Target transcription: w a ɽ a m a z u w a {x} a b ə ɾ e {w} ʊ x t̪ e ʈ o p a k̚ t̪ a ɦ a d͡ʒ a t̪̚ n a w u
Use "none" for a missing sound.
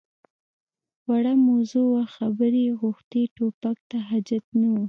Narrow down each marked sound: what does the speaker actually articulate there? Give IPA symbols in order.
x, ɣ

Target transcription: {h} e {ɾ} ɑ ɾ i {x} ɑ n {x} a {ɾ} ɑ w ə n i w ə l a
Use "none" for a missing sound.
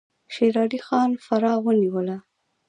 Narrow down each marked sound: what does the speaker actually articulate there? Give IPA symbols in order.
ʃ, ɾ, x, f, ɾ

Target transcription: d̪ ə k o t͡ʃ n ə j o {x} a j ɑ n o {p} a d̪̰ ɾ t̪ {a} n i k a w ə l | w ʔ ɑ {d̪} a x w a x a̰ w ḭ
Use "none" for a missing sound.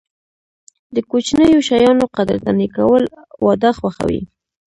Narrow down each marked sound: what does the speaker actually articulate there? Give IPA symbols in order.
ʃ, q, a, d̪

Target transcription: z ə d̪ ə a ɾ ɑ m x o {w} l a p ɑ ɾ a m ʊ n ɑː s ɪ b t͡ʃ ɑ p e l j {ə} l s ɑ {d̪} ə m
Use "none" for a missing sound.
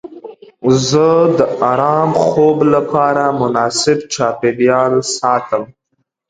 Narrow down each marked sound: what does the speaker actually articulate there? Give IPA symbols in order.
b, ɑ, t̪

